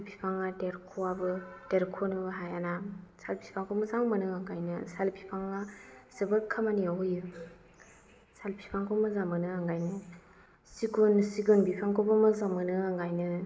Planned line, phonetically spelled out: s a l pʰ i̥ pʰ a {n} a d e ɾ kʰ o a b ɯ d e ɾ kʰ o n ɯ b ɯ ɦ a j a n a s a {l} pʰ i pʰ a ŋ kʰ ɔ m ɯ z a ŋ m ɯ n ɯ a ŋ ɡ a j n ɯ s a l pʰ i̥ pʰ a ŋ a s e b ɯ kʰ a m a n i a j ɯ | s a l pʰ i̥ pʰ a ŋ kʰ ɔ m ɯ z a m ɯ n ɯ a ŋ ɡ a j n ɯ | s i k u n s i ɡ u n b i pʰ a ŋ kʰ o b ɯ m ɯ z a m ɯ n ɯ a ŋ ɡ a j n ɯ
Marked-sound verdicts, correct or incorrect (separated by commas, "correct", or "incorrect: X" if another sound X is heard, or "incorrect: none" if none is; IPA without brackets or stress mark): incorrect: ŋ, correct